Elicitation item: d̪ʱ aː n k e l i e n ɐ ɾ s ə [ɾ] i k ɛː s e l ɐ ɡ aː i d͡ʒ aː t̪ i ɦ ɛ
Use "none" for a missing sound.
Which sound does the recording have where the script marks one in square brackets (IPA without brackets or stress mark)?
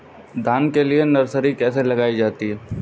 ɾ